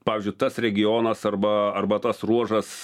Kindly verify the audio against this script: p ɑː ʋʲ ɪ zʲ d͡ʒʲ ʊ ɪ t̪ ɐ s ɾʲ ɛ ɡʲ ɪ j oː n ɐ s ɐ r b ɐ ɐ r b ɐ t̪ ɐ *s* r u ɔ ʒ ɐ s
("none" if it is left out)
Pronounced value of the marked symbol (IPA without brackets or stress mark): s